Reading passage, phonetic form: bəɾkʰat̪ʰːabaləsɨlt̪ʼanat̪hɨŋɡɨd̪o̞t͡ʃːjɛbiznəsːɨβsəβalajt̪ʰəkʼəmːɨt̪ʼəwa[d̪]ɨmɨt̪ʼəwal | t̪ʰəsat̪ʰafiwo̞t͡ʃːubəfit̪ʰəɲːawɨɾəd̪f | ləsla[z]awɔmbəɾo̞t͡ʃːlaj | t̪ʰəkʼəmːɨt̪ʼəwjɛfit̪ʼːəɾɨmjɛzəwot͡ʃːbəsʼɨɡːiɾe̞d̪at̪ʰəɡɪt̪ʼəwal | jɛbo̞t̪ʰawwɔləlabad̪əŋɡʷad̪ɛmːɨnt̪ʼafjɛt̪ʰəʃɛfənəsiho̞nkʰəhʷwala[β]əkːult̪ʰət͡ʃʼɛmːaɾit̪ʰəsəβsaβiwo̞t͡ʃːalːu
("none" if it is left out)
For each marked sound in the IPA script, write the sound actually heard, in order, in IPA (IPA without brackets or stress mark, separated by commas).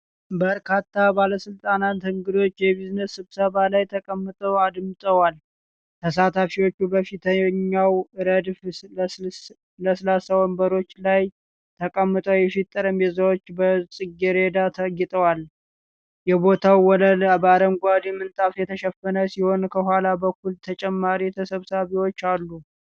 d̪, s, b